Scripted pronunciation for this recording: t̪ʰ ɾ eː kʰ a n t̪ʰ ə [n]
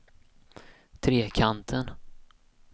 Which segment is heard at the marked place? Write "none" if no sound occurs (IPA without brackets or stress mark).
n